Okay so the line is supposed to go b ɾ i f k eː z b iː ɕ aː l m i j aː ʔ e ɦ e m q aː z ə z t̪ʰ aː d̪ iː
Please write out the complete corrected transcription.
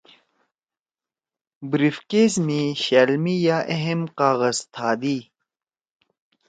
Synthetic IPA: b ɾ i f k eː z m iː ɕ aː l m i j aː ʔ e ɦ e m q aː ɣ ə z t̪ʰ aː d̪ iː